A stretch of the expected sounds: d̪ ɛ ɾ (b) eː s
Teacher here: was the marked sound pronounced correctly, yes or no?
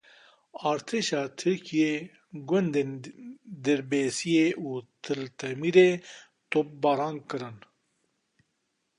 yes